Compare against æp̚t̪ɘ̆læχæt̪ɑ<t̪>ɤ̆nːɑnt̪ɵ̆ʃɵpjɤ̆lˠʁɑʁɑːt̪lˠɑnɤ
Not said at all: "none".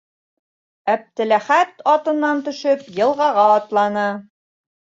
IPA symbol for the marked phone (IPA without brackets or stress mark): t̪